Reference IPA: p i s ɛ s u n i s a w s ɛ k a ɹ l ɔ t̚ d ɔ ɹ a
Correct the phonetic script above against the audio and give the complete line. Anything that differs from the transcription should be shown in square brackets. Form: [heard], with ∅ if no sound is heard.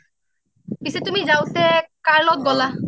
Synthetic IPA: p i s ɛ [t] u [m] i [z] a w s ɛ k a ɹ l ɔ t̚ [ɡ] ɔ [l] a